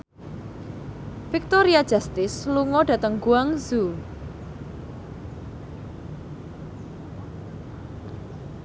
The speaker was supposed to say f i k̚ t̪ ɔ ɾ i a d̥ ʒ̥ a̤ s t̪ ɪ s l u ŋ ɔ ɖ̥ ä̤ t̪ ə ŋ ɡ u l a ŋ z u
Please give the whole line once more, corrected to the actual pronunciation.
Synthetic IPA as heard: f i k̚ t̪ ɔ ɾ i a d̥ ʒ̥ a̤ s t̪ ɪ s l u ŋ ɔ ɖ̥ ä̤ t̪ ə ŋ ɡ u a ŋ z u